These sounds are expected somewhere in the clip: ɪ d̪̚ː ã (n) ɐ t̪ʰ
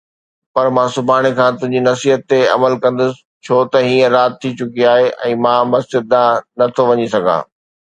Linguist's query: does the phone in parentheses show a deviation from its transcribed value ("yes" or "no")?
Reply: no